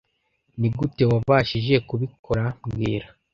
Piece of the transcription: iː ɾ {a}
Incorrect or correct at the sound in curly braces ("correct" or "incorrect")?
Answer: correct